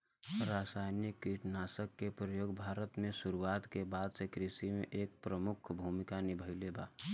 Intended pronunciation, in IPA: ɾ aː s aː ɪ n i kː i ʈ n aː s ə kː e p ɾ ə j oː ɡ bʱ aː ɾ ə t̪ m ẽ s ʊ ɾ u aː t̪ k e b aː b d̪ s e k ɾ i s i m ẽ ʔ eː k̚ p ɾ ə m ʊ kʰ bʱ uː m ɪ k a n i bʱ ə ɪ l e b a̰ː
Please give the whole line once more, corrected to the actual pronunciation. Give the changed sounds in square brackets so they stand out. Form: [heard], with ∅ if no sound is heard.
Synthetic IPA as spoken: ɾ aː s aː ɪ n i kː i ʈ n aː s ə kː e p ɾ ə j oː ɡ bʱ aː ɾ ə t̪ m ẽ s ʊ ɾ u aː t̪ k e b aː [∅] d̪ s e k ɾ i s i m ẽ ʔ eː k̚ p ɾ ə m ʊ kʰ bʱ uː m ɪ k a n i bʱ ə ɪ l e b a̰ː